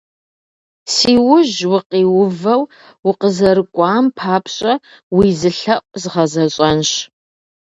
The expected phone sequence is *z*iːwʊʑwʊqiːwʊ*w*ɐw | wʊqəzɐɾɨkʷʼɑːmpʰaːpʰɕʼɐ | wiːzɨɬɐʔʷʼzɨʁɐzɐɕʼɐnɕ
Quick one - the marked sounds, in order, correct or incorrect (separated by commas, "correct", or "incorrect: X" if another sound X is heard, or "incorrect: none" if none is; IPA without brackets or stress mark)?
incorrect: s, incorrect: v